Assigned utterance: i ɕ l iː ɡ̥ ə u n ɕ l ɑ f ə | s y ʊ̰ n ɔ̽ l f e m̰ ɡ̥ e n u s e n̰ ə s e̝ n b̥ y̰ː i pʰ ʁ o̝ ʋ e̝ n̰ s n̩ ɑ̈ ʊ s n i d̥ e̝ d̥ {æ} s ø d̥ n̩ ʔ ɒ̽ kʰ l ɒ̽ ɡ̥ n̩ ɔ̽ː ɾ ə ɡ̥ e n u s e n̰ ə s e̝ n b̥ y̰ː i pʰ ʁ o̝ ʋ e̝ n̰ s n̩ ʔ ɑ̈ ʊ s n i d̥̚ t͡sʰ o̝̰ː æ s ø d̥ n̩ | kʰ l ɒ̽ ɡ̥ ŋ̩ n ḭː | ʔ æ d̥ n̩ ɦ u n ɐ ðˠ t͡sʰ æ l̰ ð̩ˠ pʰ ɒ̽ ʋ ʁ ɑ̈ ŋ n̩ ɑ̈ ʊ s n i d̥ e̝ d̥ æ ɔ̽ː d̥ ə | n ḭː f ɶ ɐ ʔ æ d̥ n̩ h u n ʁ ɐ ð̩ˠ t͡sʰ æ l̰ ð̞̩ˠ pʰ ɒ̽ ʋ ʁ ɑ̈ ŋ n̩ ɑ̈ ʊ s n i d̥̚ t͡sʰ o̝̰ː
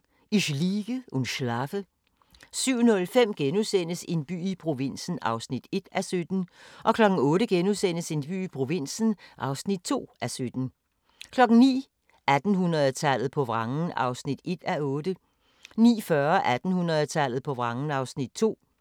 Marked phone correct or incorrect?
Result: correct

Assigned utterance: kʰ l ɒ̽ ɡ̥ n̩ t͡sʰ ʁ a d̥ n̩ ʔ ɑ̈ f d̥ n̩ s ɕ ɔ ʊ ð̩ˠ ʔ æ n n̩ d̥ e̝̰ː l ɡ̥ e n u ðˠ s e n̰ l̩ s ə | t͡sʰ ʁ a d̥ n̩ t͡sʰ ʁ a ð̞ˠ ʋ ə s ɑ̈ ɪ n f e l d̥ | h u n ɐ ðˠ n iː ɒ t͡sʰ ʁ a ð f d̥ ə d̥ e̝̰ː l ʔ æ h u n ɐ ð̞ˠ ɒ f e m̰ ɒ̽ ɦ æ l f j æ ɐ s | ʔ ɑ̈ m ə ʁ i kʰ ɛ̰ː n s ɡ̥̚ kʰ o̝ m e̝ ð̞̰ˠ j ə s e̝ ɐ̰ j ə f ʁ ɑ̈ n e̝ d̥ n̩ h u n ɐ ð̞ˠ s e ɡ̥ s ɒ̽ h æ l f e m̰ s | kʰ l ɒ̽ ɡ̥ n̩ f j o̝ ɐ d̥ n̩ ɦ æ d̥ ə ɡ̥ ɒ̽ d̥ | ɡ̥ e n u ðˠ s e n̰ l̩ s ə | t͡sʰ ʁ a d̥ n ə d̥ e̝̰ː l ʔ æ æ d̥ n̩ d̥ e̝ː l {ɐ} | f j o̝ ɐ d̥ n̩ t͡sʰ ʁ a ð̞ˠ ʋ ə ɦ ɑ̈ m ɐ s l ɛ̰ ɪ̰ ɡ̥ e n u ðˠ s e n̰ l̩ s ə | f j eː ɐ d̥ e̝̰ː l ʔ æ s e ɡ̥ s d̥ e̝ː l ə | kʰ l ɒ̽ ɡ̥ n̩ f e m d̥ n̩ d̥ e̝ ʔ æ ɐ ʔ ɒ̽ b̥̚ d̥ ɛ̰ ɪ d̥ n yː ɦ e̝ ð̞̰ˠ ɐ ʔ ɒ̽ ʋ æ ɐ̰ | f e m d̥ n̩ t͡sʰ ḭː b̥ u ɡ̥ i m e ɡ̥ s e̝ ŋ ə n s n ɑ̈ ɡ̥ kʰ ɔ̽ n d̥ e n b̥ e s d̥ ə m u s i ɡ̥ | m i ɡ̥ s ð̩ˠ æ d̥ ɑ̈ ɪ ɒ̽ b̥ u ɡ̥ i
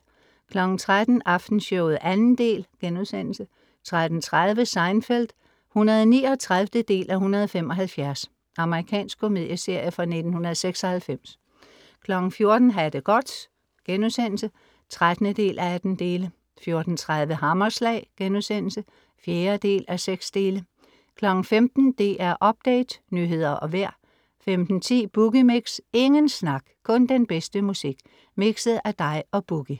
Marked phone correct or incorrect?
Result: incorrect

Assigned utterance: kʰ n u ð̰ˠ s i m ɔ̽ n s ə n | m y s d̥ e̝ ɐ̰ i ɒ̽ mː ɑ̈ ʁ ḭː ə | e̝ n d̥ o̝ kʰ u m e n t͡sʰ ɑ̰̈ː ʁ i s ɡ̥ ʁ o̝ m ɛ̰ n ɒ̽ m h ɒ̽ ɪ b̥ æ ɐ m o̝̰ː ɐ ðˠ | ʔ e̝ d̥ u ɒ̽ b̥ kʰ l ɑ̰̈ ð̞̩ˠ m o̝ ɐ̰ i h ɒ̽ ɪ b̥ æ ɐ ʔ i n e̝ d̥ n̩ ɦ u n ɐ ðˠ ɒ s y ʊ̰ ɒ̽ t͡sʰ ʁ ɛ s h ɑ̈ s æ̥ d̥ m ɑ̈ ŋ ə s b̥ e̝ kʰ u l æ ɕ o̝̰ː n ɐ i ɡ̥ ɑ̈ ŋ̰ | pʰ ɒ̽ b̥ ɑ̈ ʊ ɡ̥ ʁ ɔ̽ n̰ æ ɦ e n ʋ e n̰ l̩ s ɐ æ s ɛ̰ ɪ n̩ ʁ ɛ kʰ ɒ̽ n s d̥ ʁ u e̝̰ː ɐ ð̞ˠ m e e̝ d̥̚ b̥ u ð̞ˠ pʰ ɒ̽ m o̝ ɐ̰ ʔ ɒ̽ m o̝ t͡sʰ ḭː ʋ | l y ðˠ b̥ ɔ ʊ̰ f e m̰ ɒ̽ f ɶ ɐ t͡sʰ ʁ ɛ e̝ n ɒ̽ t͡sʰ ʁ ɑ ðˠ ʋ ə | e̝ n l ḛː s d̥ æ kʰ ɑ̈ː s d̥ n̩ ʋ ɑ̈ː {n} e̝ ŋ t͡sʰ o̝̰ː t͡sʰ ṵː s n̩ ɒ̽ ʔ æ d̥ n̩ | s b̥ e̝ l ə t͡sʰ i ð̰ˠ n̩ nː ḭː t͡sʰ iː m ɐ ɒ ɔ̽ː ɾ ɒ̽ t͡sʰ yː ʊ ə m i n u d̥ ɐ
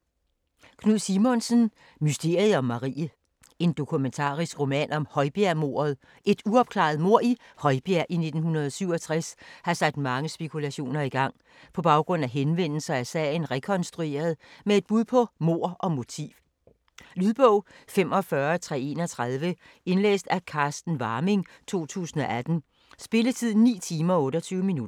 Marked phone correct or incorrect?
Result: incorrect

